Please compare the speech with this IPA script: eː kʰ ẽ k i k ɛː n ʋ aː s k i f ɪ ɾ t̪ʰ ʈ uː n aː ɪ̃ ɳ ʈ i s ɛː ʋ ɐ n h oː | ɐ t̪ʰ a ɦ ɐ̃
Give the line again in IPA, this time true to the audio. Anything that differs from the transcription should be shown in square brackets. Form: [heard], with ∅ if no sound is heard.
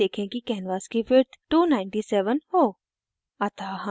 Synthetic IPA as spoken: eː kʰ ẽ k i k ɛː n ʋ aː s k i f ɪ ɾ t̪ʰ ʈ uː n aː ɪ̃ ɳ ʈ i s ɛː ʋ [ə] n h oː | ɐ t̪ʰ a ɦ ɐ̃